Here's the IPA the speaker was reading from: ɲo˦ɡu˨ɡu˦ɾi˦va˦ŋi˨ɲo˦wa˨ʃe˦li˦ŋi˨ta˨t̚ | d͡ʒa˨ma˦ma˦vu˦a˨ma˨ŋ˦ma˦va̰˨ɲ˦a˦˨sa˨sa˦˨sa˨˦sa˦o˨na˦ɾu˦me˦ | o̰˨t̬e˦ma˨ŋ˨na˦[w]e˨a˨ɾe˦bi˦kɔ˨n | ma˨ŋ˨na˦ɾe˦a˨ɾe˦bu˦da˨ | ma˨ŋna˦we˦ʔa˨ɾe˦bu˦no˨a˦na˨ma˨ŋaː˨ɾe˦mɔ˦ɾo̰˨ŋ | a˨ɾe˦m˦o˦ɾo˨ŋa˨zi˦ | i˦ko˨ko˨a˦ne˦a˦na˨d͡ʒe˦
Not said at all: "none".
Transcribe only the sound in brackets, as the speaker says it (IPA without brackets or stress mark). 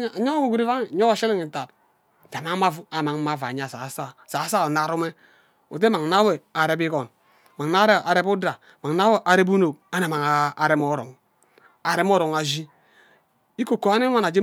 w